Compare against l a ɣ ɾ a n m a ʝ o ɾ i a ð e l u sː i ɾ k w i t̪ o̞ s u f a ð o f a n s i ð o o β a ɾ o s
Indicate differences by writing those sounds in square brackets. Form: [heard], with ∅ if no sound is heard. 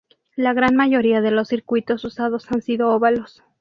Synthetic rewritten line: l a ɣ ɾ a n m a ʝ o ɾ i a ð e l [o] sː i ɾ k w i t̪ o̞ s u [s] a ð o [s] a n s i ð o o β a [l] o s